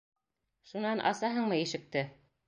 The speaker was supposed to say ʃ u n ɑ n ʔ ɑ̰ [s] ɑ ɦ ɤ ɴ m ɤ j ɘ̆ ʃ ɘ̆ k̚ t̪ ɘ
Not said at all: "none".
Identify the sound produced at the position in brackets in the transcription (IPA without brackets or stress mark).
s